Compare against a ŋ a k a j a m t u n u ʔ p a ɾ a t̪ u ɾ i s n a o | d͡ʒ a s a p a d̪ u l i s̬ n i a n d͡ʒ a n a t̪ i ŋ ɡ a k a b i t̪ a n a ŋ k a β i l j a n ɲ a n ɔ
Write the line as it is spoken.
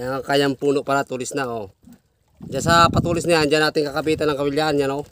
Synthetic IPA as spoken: a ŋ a k a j a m p u n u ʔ p a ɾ a t̪ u l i s n a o | d͡ʒ a s a p a t̪ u l i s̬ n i a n d͡ʒ a n a t̪ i ŋ k a k a b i t̪ a n a ŋ k a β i l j a n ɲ a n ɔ